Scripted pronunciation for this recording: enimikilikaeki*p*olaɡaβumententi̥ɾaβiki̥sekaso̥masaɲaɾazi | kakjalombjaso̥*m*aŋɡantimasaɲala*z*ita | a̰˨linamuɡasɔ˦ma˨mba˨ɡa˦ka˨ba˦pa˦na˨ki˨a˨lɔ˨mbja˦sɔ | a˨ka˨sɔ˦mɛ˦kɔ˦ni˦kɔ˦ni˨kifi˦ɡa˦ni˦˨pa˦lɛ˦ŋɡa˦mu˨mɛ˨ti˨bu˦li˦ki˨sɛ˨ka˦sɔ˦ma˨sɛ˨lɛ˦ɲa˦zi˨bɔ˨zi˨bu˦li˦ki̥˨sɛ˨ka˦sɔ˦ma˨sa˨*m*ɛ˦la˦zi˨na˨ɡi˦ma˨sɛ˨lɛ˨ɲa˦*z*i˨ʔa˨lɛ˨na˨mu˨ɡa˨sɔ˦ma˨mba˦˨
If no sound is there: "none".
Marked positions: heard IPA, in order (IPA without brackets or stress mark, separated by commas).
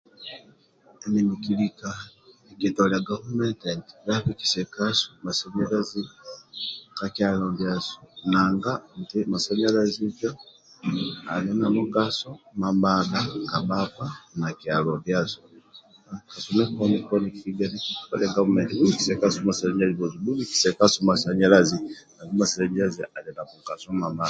t, n, z, ɲ, z